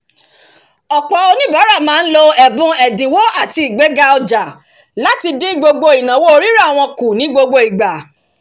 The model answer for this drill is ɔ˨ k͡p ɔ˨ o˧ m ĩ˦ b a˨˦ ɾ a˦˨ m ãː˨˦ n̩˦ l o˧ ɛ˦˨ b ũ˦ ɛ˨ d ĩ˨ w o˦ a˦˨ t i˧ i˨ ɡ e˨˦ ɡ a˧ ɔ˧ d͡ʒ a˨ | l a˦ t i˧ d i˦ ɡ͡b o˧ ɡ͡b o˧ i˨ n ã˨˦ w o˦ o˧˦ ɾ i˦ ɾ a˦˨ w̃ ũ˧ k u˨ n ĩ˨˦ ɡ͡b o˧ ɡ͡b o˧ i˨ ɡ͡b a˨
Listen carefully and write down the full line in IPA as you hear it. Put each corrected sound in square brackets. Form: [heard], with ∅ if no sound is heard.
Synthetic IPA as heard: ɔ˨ k͡p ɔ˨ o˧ [n] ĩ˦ b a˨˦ ɾ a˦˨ m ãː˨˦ n̩˦ l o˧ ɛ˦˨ b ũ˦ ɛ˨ d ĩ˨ w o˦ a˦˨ t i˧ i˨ [ɡ͡b] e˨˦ ɡ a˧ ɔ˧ d͡ʒ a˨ | l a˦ t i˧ d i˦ ɡ͡b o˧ ɡ͡b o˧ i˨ n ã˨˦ w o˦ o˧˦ ɾ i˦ ɾ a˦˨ w̃ [ɔ̃˧] k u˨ n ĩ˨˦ ɡ͡b o˧ ɡ͡b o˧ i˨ ɡ͡b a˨